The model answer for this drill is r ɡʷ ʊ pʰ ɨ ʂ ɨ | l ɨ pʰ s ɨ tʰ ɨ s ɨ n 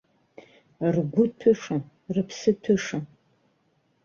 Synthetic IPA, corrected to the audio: r ɡʷ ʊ tʰ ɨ ʂ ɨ | r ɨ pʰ s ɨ tʰ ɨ ʂ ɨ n